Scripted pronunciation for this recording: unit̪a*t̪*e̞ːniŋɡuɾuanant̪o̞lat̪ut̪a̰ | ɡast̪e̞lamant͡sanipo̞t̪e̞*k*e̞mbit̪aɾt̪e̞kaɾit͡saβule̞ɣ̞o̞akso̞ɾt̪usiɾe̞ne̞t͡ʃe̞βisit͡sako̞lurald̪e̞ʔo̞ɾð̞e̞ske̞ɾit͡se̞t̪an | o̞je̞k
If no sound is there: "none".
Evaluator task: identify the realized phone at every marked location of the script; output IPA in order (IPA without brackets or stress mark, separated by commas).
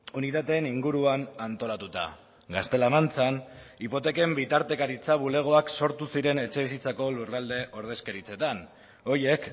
t̪, k